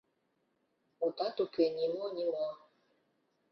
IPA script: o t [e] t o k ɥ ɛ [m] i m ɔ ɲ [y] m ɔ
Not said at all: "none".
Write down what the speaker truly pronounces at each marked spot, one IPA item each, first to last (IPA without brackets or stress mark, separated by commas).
a, ɲ, i